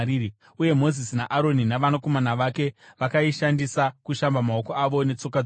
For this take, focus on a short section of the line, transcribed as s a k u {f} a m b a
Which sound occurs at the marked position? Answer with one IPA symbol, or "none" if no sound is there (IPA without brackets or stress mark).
ʃ